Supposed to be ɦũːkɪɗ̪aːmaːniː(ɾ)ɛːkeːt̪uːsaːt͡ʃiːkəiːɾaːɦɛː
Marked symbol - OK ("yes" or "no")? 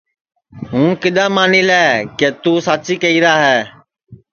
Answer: no